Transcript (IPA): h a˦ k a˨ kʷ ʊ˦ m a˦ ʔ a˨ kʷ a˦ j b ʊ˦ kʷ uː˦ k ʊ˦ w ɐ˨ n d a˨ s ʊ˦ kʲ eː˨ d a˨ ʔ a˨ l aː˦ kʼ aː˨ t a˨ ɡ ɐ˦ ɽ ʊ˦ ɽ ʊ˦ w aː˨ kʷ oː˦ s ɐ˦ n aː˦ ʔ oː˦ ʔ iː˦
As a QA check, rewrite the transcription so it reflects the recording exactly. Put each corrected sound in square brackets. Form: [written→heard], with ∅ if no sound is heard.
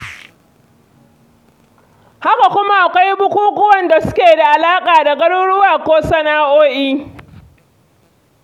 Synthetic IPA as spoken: h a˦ k a˨ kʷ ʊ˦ m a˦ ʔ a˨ kʷ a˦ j b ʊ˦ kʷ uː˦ k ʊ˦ w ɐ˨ n d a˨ s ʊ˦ kʲ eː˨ d a˨ ʔ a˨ l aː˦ kʼ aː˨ [t→d] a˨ ɡ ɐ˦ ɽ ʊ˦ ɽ ʊ˦ w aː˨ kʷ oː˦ s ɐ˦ n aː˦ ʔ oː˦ ʔ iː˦